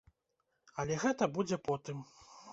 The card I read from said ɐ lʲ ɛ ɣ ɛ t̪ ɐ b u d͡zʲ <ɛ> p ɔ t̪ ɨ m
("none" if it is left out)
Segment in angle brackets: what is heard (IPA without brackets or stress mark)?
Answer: ɛ